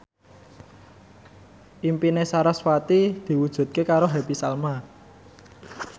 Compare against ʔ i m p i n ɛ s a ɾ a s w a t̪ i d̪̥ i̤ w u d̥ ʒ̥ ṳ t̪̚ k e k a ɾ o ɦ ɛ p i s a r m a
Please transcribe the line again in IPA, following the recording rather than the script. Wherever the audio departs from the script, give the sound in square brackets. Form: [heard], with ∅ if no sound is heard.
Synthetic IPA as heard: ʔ i m p i n [e] s a ɾ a s w a t̪ i d̪̥ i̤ w u d̥ ʒ̥ ṳ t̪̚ k e k a ɾ o ɦ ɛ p i s a [l] m a